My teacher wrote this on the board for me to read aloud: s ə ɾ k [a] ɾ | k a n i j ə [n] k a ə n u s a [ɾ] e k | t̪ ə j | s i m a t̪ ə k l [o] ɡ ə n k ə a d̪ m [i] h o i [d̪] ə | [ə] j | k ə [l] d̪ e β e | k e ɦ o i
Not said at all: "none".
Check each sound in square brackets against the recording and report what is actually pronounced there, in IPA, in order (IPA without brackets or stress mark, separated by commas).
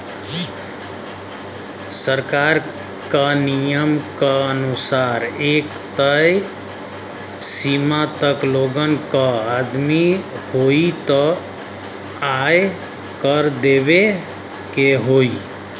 a, m, ɾ, o, i, t̪, a, ɾ